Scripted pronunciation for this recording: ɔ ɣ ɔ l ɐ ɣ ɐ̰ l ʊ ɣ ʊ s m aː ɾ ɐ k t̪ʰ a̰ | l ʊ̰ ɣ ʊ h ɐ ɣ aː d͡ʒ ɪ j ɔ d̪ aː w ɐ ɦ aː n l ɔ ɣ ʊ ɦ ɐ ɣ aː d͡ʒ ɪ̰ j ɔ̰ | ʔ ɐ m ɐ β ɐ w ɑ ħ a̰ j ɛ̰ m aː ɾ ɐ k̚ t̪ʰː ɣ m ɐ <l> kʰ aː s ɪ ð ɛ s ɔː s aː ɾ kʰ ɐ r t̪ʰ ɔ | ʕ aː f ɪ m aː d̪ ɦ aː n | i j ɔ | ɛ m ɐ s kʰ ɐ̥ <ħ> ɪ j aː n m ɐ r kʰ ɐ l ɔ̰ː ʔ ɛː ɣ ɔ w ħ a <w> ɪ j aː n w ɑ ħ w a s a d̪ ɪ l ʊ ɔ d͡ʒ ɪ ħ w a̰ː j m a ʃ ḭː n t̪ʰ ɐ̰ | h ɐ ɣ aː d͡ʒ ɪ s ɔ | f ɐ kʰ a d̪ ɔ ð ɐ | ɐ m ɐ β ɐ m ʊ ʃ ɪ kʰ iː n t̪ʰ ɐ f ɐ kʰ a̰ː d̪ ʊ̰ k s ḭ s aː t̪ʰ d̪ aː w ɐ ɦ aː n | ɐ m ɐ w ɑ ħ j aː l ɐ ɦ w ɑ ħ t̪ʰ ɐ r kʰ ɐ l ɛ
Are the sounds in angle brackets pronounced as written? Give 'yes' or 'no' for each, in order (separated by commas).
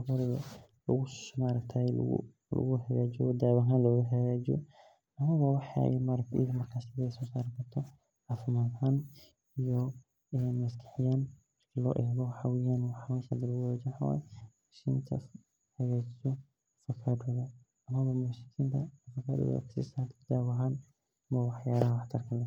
no, yes, yes